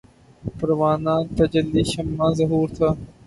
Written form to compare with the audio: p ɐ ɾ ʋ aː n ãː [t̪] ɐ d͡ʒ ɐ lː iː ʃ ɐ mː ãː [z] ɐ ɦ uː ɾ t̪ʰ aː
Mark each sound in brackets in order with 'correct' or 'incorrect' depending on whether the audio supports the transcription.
correct, correct

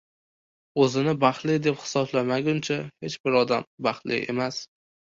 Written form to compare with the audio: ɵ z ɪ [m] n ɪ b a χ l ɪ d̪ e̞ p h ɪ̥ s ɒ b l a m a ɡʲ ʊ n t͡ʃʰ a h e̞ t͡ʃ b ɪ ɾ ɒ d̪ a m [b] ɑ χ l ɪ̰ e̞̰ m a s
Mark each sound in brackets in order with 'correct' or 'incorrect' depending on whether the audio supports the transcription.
incorrect, correct

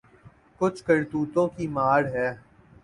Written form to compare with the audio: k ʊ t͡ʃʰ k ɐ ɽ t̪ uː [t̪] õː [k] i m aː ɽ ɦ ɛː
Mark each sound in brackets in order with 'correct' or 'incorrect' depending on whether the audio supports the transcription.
correct, correct

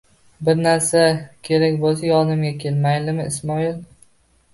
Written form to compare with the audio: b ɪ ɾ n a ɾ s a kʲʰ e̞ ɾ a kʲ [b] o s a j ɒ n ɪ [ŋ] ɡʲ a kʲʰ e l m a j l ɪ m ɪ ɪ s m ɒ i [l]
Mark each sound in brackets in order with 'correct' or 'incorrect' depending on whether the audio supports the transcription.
correct, incorrect, correct

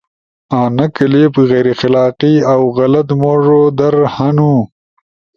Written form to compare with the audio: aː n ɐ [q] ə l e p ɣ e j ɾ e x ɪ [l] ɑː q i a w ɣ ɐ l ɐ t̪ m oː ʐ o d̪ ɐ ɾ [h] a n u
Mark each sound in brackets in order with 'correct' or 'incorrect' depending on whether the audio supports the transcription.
incorrect, correct, correct

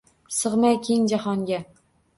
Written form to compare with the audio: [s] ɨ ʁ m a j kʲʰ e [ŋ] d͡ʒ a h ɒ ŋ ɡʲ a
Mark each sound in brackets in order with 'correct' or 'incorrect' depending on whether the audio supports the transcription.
correct, correct

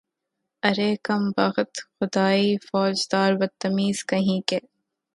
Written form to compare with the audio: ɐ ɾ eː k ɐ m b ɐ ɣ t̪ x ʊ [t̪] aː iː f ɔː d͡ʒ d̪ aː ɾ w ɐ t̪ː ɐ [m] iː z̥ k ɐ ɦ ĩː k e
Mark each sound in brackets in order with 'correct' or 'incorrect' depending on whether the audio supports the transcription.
incorrect, correct

